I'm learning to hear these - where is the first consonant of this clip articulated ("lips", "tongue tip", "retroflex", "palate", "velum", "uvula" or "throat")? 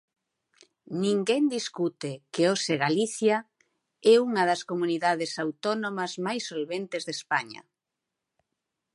tongue tip